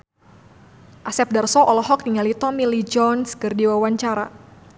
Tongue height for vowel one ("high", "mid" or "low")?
low